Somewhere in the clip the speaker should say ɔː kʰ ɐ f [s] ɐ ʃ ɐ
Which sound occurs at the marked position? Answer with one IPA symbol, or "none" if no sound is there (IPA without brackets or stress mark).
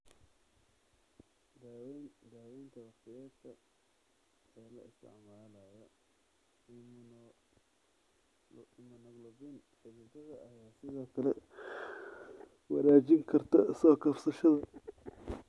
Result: s